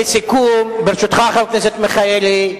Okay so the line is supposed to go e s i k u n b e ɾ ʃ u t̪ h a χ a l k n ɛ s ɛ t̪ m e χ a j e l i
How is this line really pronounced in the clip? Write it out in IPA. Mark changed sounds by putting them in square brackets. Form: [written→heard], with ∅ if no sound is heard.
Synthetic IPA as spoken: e s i k u [n→m] b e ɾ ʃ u t̪ [h→χ] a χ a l k n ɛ s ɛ t̪ m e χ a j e l i